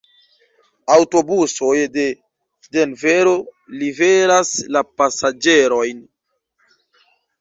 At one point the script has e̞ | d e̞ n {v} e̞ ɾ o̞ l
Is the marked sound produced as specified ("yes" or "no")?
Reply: yes